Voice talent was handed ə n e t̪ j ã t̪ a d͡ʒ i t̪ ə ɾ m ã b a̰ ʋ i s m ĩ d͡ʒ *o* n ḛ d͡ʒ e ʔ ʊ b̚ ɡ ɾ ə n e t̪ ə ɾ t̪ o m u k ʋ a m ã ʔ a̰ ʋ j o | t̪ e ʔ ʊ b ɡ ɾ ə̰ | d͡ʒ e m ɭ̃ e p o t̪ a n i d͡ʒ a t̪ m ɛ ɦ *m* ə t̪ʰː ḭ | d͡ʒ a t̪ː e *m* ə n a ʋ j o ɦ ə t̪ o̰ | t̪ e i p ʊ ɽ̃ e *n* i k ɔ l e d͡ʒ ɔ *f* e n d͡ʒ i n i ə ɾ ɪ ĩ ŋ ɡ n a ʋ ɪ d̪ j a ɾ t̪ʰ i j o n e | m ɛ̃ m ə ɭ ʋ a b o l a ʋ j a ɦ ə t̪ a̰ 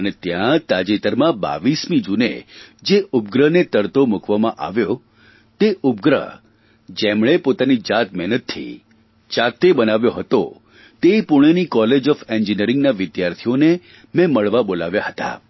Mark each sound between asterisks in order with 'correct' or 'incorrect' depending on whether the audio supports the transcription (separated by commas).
incorrect, incorrect, incorrect, correct, correct